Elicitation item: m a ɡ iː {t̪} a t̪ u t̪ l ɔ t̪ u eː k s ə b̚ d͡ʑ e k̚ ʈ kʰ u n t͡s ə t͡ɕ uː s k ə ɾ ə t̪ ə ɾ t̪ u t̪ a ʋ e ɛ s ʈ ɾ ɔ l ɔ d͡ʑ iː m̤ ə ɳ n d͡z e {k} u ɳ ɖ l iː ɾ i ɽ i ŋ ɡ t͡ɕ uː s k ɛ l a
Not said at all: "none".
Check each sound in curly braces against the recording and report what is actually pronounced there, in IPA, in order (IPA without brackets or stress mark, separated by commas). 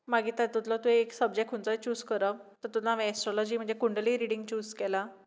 t̪, k